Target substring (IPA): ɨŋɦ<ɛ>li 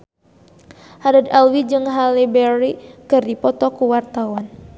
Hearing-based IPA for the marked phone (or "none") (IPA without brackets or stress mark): a